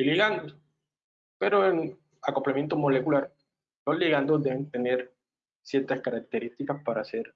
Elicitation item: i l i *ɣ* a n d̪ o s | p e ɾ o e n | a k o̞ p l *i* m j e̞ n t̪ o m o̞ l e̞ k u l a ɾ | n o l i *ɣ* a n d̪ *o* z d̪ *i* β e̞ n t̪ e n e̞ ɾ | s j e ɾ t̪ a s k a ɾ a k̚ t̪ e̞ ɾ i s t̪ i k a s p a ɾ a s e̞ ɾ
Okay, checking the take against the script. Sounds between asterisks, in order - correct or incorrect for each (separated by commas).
correct, incorrect, correct, correct, incorrect